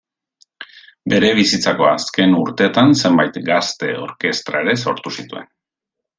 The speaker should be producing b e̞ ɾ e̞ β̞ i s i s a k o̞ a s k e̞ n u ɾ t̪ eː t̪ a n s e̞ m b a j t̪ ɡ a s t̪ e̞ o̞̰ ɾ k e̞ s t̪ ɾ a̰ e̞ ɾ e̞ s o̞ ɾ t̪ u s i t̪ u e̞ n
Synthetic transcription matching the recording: b e̞ ɾ e̞ β̞ i s i t͡s a k o̞ a s k e̞ n u ɾ t̪ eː t̪ a n s e̞ m b a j t̪ ɡ a s t̪ e̞ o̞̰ ɾ k e̞ s t̪ ɾ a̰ e̞ ɾ e̞ s o̞ ɾ t̪ u s i t̪ u e̞ n